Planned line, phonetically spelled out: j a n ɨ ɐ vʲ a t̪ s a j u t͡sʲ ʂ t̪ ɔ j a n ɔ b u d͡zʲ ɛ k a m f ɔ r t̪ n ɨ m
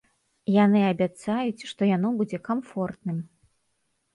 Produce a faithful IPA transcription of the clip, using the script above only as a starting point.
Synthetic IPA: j a n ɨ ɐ bʲ a t̪ s a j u t͡sʲ ʂ t̪ ɔ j a n ɔ b u d͡zʲ ɛ k a m f ɔ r t̪ n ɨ m